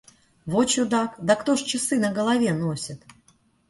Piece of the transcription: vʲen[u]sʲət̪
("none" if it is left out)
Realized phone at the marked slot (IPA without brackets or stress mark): o